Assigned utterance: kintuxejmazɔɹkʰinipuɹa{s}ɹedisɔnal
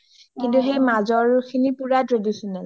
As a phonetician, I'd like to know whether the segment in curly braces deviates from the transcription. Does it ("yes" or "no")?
yes